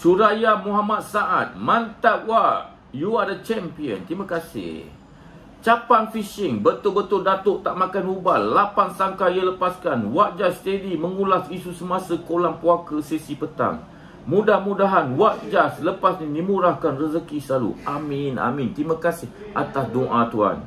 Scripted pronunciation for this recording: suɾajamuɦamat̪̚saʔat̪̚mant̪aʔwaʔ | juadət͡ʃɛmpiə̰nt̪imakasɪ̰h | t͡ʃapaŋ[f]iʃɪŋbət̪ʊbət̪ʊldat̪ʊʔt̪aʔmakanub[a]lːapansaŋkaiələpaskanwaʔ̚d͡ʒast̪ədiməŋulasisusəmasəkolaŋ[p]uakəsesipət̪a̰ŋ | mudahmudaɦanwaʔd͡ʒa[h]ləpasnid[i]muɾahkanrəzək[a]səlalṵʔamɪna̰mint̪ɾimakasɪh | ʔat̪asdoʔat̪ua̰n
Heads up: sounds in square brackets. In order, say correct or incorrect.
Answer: correct, correct, correct, incorrect: s, correct, incorrect: i

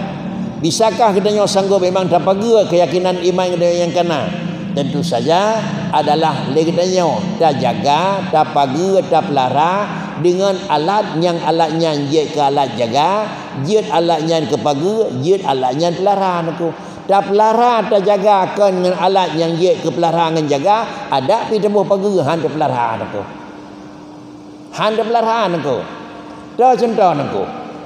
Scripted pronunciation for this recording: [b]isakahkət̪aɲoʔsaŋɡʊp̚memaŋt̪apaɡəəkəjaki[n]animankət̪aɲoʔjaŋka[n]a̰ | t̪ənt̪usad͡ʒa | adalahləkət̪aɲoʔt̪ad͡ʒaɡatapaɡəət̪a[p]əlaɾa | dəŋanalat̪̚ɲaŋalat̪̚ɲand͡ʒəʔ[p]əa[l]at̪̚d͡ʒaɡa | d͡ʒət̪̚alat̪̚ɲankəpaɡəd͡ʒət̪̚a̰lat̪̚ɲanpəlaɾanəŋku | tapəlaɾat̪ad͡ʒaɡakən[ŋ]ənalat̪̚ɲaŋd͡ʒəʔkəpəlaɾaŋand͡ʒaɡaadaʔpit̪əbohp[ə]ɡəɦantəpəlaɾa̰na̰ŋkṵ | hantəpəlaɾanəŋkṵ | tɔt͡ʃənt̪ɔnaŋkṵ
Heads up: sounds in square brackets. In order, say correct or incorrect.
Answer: correct, correct, correct, correct, incorrect: k, correct, correct, incorrect: a

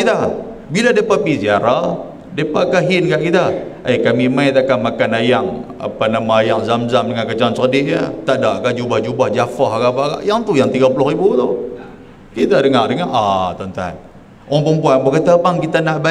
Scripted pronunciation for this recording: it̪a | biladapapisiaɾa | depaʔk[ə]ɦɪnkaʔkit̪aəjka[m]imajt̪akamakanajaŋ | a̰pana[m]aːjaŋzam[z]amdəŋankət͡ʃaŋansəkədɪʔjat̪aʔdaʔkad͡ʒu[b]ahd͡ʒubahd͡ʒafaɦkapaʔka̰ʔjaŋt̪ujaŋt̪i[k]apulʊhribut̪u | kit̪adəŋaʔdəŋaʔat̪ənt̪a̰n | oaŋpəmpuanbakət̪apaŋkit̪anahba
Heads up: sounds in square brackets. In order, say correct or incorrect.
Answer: incorrect: a, correct, correct, correct, correct, incorrect: ɡ

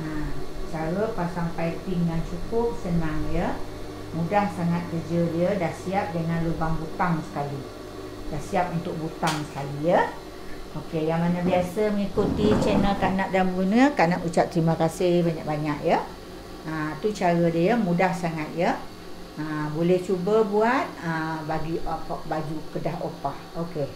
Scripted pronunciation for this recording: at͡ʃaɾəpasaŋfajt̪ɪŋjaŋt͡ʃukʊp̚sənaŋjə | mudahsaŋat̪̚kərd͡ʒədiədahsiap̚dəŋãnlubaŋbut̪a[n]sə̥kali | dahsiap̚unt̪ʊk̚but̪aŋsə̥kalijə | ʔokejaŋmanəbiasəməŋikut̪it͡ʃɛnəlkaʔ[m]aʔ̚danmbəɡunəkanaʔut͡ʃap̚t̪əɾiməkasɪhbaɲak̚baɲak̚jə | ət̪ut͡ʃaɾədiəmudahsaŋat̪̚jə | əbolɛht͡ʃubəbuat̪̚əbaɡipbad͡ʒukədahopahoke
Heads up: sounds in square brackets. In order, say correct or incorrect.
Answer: incorrect: ŋ, incorrect: n

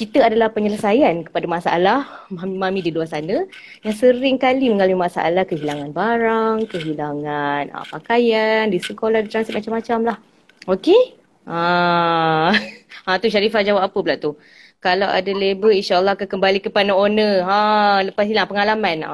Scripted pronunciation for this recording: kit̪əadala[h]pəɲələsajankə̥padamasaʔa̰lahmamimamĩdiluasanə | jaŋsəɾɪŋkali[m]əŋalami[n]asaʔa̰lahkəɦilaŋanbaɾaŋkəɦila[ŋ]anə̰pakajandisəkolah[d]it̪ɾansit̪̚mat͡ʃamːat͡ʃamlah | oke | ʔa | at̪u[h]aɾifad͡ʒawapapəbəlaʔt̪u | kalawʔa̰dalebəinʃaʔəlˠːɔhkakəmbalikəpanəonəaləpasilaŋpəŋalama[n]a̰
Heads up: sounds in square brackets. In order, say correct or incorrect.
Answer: correct, correct, incorrect: m, correct, correct, incorrect: ʃ, correct

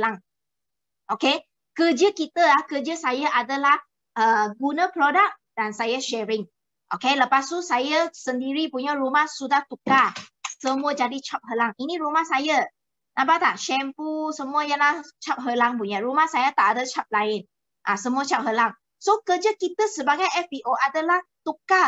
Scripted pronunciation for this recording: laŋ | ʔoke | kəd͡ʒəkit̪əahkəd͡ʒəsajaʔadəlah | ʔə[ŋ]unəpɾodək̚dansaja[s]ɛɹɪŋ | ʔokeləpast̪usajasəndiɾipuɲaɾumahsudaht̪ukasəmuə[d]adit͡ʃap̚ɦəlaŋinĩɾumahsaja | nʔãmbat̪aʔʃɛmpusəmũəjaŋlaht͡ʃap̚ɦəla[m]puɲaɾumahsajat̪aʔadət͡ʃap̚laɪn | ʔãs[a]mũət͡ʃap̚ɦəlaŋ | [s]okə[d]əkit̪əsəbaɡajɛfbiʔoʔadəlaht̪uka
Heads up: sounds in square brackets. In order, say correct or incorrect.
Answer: incorrect: ɡ, incorrect: ʃ, incorrect: d͡ʒ, incorrect: ŋ, incorrect: ə, correct, incorrect: d͡ʒ

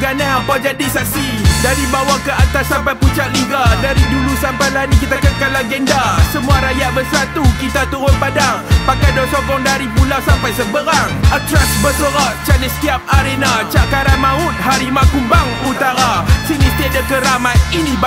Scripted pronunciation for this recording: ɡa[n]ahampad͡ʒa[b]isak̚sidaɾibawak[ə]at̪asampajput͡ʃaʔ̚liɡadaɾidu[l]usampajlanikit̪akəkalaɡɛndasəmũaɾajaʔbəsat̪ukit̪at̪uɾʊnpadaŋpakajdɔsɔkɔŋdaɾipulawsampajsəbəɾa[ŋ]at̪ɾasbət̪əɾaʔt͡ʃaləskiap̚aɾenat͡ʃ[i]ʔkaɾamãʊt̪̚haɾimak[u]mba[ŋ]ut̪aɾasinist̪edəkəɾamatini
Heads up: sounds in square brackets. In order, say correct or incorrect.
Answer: correct, incorrect: d, correct, correct, correct, incorrect: a, correct, correct

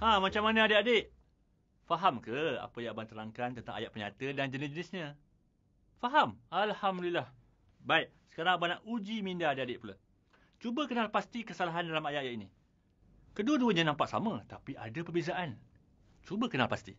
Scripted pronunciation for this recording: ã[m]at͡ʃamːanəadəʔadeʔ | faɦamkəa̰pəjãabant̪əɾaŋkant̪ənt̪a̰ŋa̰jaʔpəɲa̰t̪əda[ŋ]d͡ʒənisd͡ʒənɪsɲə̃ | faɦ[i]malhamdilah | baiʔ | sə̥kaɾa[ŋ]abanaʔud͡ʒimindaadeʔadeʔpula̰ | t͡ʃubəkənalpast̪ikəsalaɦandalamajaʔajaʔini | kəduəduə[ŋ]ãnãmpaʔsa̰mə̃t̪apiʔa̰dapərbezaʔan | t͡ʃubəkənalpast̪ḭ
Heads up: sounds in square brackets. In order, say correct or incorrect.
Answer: correct, incorrect: n, incorrect: a, correct, incorrect: ɲ

